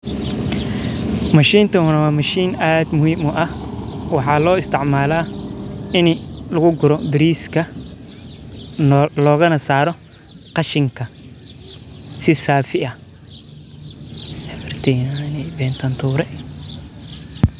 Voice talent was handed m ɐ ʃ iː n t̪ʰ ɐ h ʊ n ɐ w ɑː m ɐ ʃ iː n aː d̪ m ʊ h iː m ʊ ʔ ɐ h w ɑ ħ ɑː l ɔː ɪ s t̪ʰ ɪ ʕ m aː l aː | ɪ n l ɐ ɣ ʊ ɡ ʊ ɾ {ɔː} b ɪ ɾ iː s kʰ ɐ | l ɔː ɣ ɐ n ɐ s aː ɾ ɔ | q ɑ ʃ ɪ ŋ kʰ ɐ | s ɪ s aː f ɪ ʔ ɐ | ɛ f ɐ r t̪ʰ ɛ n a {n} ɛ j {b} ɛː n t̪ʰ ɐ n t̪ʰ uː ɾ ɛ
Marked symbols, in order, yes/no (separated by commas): no, yes, yes